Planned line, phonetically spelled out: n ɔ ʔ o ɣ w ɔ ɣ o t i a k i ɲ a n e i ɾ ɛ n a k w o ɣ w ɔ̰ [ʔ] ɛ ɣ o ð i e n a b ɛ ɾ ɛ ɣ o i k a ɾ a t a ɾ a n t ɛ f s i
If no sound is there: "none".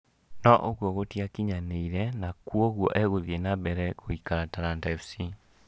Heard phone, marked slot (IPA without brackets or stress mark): ʔ